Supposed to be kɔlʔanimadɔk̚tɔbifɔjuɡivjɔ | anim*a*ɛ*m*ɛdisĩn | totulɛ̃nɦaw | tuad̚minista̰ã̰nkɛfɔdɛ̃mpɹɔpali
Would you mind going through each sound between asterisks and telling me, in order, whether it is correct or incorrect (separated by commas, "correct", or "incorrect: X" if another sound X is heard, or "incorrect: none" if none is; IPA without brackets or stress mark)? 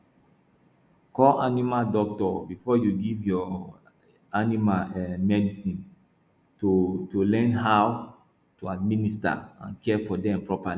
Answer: correct, correct